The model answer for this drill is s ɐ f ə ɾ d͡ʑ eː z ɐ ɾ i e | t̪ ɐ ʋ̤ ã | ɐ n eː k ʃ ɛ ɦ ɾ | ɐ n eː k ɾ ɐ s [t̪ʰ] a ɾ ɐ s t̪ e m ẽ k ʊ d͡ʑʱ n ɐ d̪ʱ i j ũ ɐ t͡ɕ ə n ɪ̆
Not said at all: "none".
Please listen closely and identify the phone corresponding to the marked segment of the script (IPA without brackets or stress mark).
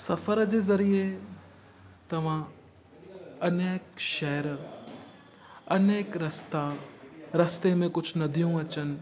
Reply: t̪